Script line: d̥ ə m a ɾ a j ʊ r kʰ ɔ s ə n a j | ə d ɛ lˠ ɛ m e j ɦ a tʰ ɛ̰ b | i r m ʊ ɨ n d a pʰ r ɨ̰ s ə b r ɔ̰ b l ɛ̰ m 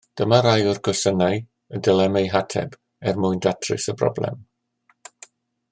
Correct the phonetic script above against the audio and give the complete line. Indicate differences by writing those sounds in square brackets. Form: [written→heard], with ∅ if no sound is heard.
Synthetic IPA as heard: d̥ ə m a ɾ a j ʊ r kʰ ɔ s ə n a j | ə d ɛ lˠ ɛ m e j ɦ a tʰ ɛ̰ b | [i→ɛ] r m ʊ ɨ n d a [pʰ→tʰ] r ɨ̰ s ə b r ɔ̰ b l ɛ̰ m